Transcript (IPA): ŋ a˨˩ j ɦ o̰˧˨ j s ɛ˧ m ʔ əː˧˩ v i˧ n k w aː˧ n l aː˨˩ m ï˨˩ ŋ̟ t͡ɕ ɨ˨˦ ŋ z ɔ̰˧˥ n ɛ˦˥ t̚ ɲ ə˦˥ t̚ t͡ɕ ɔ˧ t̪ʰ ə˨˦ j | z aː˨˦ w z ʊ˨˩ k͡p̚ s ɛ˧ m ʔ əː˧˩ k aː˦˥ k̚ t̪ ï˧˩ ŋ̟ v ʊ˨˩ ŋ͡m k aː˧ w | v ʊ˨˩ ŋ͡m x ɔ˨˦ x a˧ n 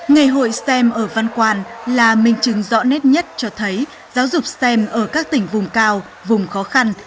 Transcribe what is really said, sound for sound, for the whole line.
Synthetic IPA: ŋ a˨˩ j ɦ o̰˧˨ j s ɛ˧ m ʔ əː˧˩ v a˧ n k w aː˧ n l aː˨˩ m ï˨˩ ŋ̟ t͡ɕ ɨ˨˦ ŋ z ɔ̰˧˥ n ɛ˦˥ t̚ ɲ ə˦˥ t̚ t͡ɕ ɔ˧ t̪ʰ ə˨˦ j | z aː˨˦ w z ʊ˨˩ k͡p̚ s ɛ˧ m ʔ əː˧˩ k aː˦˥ k̚ t̪ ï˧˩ ŋ̟ v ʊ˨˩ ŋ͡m k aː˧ w | v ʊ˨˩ ŋ͡m x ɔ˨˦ x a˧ n